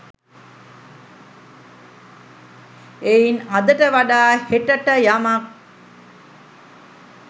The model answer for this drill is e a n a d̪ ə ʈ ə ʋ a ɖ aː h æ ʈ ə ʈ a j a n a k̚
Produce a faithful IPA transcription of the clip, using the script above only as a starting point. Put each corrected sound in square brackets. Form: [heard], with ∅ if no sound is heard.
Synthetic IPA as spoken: e [i] n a d̪ ə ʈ ə ʋ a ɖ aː h [e] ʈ ə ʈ [ə] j a [m] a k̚